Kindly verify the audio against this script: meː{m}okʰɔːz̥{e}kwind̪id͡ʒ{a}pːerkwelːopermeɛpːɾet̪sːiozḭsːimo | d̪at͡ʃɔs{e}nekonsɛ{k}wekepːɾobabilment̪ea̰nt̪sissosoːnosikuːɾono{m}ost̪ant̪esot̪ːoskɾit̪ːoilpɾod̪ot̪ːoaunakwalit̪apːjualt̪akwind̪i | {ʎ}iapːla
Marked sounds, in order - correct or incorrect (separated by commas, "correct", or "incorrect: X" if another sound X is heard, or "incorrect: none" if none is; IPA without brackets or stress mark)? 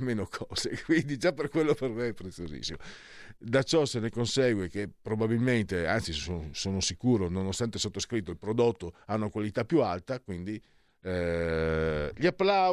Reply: incorrect: n, correct, correct, correct, incorrect: ɡ, incorrect: n, correct